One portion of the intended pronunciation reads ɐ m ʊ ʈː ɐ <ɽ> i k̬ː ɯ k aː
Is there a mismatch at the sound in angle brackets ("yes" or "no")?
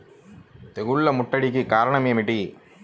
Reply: no